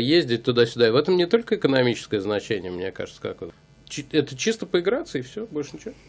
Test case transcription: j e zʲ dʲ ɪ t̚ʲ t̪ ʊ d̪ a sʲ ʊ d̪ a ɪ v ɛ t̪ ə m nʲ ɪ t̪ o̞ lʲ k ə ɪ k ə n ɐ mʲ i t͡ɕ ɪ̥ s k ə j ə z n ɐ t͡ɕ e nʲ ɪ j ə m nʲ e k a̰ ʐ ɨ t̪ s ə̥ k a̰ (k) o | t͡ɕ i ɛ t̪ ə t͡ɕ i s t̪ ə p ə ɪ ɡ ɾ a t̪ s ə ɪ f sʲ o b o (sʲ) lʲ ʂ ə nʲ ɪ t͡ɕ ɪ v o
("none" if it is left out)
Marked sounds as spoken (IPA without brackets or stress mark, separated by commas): k, none